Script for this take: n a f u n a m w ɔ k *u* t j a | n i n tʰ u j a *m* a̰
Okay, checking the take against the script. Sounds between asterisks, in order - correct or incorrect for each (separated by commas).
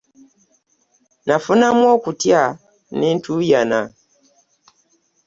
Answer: correct, incorrect